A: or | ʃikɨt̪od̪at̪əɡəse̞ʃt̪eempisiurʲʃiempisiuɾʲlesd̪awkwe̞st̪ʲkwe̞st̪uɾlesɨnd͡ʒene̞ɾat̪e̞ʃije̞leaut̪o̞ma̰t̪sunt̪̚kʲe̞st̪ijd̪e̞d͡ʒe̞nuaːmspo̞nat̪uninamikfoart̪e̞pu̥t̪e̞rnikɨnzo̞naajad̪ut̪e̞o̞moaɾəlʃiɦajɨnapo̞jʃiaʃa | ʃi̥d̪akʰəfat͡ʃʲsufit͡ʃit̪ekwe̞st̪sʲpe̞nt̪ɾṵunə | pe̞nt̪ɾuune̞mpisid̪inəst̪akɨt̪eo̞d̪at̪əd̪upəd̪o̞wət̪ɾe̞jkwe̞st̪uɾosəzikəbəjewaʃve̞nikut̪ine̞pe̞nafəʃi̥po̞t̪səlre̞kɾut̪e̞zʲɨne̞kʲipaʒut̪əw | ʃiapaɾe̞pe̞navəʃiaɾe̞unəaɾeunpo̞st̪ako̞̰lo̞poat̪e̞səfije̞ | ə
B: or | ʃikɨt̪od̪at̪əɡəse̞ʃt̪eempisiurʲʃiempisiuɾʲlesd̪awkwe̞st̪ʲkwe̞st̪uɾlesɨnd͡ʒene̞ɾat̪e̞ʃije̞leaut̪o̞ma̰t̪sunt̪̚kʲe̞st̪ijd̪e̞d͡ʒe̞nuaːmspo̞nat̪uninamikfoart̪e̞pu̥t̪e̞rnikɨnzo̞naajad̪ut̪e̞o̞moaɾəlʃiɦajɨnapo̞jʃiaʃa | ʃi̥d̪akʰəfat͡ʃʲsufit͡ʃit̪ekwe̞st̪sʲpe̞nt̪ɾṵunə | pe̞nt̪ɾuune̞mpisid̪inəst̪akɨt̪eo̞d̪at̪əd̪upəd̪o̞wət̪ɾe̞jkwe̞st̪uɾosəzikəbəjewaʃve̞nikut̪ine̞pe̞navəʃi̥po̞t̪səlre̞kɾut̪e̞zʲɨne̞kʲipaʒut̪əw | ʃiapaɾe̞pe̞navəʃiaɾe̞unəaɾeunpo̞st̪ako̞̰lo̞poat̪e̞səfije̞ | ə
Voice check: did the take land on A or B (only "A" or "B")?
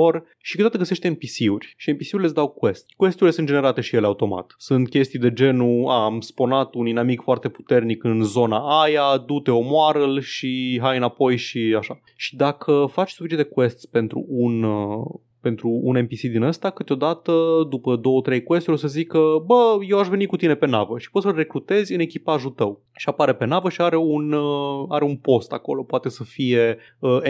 B